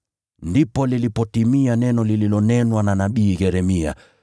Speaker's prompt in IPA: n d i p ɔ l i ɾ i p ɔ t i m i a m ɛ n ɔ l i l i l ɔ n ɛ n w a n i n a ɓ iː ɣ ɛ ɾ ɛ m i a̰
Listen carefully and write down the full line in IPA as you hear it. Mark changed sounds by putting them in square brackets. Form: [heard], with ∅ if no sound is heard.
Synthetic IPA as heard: n d i p ɔ l i [l] i p ɔ t i m i a [n] ɛ n ɔ l i l i l ɔ n ɛ n w a n [a] n a ɓ iː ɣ ɛ ɾ ɛ m i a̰